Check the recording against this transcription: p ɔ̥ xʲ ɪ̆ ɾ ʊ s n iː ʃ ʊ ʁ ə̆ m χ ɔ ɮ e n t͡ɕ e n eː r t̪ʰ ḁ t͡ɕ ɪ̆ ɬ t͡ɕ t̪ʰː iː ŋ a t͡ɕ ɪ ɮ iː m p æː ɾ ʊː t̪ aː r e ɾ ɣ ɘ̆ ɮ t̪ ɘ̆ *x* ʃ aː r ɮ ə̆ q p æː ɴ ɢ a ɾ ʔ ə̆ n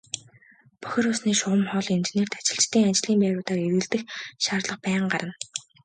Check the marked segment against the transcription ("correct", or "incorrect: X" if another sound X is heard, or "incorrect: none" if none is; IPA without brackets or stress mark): correct